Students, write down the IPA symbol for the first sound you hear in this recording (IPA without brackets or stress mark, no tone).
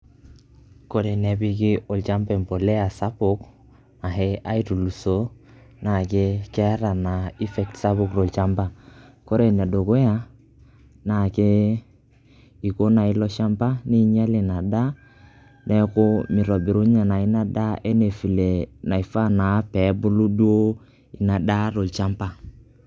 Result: k